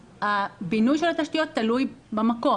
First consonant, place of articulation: labial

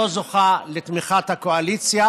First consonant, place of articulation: alveolar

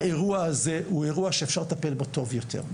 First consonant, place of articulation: uvular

